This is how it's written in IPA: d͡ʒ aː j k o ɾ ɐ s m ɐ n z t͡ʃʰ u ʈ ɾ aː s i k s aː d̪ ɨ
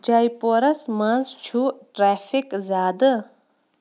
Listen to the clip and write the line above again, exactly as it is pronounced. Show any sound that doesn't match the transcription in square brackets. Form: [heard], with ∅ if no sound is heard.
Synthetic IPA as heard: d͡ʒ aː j [p] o ɾ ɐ s m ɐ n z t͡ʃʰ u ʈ ɾ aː [f] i k [z] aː d̪ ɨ